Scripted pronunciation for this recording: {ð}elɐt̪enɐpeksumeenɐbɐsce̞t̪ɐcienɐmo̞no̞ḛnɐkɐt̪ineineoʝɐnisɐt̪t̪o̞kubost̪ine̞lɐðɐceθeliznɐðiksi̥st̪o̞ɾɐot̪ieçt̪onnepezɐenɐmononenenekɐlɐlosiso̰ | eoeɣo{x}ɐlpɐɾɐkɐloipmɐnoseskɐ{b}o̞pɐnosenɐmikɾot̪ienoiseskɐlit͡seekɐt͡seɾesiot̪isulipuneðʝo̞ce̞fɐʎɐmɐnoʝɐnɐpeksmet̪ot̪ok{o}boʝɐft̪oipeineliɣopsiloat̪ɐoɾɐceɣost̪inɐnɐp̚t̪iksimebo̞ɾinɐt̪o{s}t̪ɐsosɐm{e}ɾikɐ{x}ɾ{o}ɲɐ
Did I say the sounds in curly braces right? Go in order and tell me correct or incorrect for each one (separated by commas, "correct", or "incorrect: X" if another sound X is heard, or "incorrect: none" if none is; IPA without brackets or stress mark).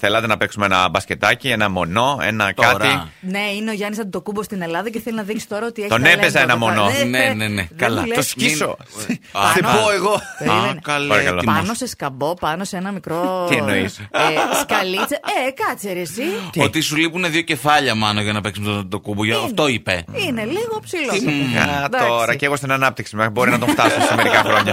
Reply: incorrect: θ, incorrect: k, correct, incorrect: u, incorrect: f, correct, correct, correct